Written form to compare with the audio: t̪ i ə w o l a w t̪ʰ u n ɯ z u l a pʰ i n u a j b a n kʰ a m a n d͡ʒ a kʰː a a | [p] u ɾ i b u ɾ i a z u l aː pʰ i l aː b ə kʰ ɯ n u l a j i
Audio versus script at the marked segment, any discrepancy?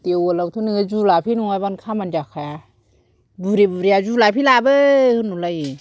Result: yes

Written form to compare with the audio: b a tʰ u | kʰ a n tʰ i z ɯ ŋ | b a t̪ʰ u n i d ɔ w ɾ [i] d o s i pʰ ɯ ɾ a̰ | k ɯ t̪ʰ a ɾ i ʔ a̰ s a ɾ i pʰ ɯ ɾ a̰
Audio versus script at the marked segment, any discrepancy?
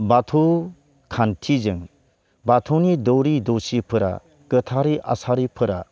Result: no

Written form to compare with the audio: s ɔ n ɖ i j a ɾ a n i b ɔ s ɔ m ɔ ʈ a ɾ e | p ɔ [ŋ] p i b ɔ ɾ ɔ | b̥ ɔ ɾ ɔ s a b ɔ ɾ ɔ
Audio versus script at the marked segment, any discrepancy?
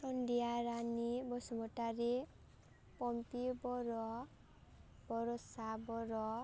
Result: yes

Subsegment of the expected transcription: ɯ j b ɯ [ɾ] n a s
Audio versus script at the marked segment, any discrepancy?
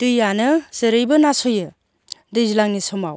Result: yes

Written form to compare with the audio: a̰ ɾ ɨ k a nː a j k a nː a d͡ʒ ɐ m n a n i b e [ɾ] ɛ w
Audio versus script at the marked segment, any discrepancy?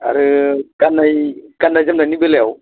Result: yes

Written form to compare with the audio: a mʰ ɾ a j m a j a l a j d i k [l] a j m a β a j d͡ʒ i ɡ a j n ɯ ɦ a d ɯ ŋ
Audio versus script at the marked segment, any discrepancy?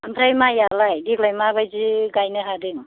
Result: no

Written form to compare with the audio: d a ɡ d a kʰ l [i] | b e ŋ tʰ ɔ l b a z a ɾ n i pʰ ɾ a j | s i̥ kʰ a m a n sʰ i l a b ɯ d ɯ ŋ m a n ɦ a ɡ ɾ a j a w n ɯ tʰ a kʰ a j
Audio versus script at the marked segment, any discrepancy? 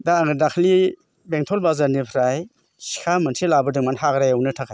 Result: no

